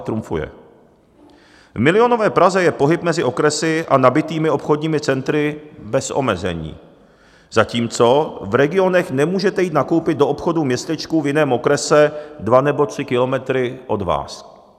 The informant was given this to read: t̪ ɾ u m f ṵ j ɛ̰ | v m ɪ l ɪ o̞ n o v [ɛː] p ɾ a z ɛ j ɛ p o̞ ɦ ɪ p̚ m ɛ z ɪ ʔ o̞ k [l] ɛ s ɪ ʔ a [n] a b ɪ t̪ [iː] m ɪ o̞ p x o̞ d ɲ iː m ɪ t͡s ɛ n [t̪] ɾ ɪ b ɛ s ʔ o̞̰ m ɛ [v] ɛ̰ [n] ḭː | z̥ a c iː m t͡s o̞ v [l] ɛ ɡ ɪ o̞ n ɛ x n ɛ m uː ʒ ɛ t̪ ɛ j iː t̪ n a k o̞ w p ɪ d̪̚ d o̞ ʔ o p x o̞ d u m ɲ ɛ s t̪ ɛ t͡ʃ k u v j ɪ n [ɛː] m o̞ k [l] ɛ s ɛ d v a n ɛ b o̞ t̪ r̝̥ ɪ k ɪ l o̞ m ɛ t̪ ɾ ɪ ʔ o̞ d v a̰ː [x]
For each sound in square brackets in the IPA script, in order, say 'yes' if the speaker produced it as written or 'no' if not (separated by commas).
yes, no, yes, yes, yes, no, no, no, yes, no, no